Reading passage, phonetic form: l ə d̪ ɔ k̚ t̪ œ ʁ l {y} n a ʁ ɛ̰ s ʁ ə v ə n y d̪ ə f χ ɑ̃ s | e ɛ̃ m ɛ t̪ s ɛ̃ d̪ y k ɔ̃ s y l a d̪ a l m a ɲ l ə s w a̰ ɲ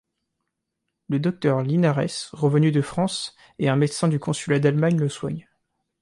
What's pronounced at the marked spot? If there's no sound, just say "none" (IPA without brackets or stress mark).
i